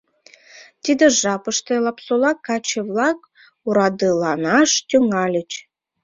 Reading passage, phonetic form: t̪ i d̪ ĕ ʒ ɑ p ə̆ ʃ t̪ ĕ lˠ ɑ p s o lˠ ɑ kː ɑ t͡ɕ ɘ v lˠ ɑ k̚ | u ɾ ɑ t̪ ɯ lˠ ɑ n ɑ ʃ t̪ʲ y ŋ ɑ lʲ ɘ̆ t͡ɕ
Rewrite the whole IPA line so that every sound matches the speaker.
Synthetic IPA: t̪ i d̪ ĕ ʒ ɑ p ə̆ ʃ t̪ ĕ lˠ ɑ p s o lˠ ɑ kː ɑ t͡ɕ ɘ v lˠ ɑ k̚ | u ɾ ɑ d̪ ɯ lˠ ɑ n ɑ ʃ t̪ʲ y ŋ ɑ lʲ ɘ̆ t͡ɕ